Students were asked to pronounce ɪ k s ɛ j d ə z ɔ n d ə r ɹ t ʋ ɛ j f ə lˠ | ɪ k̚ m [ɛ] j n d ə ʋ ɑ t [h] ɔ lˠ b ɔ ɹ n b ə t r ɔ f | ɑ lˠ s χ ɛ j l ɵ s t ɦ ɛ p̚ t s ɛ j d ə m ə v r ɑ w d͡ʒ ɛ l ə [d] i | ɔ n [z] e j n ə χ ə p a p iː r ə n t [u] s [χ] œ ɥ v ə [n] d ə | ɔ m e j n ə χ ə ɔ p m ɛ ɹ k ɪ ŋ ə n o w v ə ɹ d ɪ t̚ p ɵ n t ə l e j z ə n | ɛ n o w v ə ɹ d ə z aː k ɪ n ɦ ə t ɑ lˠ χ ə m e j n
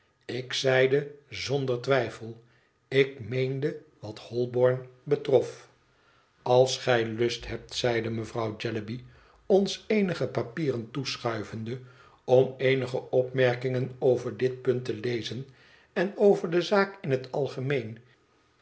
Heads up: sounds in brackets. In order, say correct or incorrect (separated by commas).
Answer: incorrect, correct, incorrect, incorrect, correct, correct, correct